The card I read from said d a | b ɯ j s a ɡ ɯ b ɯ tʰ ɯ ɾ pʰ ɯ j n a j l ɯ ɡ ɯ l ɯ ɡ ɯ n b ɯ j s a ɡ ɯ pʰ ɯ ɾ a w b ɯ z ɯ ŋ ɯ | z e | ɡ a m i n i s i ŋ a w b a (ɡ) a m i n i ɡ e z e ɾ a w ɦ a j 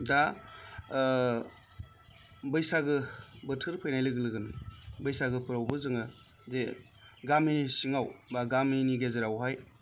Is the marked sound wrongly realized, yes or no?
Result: no